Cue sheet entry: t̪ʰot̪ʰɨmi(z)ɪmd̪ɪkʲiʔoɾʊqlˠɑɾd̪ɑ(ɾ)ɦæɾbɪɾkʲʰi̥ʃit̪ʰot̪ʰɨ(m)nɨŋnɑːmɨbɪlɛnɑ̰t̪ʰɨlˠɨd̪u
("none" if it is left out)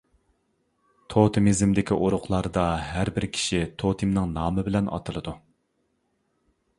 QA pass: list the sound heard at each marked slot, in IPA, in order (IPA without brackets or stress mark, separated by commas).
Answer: z, none, m